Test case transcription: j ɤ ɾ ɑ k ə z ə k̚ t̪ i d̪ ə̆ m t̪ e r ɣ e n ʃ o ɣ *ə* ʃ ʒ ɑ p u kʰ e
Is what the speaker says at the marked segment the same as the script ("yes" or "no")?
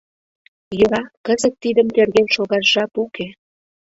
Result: no